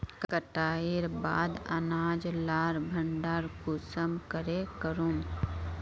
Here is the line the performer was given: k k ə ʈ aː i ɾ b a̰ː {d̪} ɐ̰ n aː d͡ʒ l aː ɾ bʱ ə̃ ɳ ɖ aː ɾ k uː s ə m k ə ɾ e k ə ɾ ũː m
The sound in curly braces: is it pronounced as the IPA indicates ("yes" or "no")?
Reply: yes